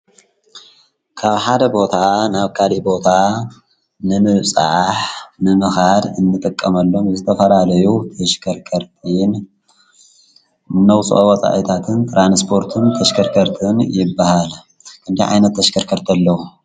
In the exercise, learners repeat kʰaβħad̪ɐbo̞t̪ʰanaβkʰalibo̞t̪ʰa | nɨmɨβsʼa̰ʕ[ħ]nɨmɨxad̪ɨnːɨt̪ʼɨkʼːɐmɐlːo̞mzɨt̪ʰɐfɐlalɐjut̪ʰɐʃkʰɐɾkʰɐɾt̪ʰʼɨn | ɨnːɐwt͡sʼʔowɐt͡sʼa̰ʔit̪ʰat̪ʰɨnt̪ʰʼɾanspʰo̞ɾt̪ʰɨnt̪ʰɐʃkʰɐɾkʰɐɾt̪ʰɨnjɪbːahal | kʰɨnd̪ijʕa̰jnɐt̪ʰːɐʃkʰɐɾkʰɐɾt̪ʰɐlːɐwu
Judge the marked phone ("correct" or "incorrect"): correct